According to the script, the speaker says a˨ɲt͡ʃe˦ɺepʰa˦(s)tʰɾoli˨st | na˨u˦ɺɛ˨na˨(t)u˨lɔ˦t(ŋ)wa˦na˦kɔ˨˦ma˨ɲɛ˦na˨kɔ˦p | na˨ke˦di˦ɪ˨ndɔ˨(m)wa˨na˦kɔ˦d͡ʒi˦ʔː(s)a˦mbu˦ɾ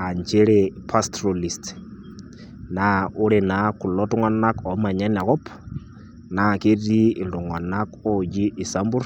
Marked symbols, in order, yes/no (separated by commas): yes, no, yes, no, yes